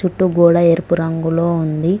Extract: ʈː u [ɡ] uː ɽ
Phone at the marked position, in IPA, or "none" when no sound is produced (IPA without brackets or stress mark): ɡ